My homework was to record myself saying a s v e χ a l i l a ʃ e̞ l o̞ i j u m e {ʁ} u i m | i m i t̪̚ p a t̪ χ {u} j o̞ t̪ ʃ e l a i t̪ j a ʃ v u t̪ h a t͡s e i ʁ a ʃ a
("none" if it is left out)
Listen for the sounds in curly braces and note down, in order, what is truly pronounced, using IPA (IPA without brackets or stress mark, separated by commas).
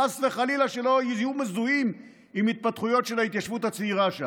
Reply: z, u